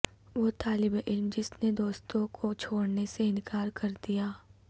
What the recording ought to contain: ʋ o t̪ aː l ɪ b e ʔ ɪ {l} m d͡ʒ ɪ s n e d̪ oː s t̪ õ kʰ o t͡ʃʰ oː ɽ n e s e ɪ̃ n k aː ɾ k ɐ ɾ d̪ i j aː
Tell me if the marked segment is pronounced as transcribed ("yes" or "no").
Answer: yes